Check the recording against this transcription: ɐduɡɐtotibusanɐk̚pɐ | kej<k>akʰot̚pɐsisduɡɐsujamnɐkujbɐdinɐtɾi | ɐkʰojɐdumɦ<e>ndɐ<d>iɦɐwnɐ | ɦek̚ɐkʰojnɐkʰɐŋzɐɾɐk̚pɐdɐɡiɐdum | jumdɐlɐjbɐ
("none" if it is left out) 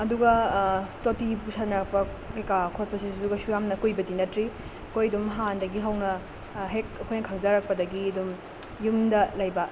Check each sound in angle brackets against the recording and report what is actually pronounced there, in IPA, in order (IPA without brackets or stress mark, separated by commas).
k, a, ɡ